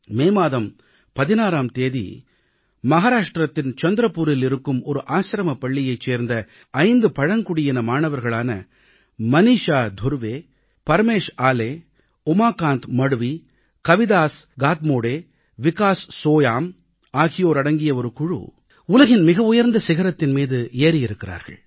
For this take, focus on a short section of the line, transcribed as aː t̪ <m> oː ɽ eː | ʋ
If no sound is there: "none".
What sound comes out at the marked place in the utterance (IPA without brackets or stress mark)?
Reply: m